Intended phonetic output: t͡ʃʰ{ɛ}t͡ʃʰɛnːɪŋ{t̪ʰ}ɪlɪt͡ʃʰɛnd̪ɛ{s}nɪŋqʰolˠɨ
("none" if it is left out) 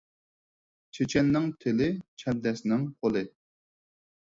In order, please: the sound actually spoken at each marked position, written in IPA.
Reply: e, t̪ʰ, s

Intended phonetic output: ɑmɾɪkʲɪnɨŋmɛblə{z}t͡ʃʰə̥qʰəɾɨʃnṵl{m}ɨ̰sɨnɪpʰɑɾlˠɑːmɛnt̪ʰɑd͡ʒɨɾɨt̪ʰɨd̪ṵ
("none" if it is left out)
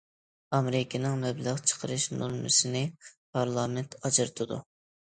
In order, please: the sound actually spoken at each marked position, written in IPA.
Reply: ʁ, m

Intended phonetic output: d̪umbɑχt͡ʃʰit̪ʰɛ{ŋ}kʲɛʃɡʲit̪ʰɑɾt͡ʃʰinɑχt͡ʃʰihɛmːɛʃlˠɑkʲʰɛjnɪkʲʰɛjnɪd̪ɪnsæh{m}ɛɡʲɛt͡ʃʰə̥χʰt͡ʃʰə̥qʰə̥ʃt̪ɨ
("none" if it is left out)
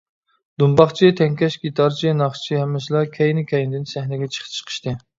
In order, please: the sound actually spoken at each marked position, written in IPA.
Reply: ŋ, n

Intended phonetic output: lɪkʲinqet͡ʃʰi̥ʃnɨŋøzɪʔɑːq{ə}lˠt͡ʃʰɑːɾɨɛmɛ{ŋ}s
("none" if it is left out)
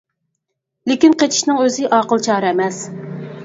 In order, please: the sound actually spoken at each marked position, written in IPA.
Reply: ə, none

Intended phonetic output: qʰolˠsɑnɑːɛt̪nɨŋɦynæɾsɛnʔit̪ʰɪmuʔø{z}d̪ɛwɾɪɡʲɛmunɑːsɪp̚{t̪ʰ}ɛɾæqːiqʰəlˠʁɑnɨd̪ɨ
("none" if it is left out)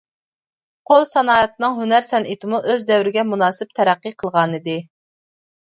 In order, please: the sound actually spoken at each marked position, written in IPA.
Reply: z, t̪ʰ

